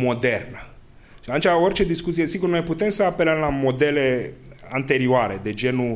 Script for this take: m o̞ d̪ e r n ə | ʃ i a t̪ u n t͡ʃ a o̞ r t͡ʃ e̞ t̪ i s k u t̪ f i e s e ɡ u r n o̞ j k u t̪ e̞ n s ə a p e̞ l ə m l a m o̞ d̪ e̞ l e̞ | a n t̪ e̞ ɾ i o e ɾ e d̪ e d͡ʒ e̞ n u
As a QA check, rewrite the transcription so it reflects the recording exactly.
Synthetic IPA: m o̞ d̪ e r n ə | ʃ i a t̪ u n t͡ʃ a o̞ r t͡ʃ e̞ d̪ i s k u t̪ s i e s i ɡ u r n o̞ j p u t̪ e̞ m s ə a p e̞ l ə m l a m o̞ d̪ e̞ l e̞ | a n t̪ e̞ ɾ i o a ɾ e d̪ e d͡ʒ e̞ n u